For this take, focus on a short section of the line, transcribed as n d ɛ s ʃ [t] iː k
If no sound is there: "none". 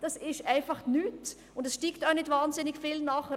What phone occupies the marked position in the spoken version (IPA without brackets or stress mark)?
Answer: t